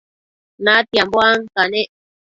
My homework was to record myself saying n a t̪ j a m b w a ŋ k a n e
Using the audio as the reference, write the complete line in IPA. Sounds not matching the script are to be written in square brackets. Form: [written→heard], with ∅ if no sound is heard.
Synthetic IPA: n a t̪ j a m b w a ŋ k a n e